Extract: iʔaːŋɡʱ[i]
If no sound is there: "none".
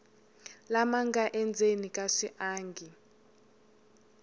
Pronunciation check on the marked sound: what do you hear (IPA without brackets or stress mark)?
i